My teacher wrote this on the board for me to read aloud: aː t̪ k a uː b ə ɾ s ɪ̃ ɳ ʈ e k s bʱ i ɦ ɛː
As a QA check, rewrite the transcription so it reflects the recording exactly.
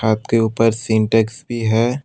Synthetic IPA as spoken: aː t̪ k e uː p ə ɾ s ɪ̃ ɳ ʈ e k s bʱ i ɦ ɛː